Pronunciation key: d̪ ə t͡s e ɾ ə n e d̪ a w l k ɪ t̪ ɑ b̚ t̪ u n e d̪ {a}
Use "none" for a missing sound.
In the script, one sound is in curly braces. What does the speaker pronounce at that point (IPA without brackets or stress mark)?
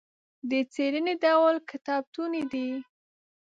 i